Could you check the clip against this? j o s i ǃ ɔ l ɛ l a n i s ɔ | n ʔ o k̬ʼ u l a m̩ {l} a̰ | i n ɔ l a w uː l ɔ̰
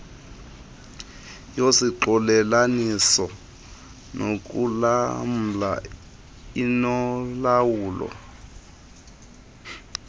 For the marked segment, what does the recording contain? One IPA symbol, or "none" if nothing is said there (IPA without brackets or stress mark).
l